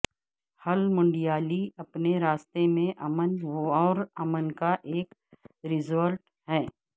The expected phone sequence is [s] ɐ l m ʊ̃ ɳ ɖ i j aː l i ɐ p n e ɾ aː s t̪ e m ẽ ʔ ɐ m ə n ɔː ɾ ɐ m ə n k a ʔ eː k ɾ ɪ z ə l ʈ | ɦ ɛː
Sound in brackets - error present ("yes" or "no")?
yes